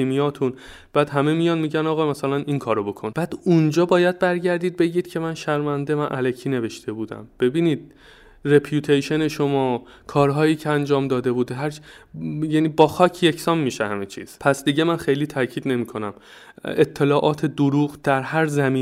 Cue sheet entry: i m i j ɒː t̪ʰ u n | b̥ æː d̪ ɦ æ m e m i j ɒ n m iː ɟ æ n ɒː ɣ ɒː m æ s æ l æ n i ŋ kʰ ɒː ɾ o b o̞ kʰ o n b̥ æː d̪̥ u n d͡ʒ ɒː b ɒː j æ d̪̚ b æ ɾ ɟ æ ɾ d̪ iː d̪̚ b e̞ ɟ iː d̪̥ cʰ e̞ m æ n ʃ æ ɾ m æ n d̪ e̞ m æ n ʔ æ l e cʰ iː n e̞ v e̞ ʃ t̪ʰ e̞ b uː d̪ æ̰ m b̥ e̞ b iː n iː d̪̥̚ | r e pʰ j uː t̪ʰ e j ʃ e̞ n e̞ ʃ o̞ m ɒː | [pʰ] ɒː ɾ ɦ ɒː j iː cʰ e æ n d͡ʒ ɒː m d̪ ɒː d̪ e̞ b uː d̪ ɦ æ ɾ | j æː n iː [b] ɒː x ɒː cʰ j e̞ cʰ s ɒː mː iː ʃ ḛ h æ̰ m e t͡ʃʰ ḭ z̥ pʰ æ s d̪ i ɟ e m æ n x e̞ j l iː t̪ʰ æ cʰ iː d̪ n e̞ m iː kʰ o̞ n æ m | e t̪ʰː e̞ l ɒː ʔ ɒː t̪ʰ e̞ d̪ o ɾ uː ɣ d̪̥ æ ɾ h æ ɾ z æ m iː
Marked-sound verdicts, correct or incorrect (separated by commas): incorrect, correct